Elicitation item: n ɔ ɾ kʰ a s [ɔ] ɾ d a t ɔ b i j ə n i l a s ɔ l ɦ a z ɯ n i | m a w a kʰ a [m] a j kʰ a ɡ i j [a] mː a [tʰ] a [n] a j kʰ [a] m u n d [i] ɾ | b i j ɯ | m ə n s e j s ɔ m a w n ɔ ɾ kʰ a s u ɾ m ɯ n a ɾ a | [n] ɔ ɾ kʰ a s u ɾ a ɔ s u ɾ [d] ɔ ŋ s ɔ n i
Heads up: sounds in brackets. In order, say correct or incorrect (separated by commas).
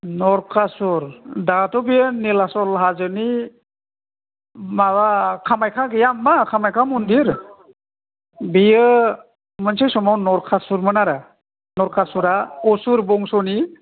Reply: incorrect, correct, correct, incorrect, incorrect, correct, correct, correct, incorrect